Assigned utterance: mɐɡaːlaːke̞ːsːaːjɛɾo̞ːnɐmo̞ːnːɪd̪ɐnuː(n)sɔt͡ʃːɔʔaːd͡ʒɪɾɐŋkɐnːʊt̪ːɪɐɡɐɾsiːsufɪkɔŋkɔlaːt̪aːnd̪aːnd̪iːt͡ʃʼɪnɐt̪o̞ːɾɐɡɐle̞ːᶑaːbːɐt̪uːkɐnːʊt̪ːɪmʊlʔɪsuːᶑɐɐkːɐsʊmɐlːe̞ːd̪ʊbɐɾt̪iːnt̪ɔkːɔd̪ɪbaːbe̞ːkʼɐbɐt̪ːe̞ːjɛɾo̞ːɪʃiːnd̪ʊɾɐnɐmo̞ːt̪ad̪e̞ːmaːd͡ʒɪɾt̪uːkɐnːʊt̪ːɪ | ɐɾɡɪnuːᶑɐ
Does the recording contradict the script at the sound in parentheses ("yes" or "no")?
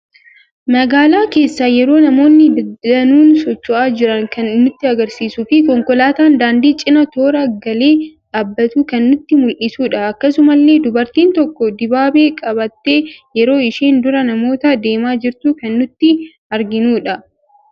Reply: no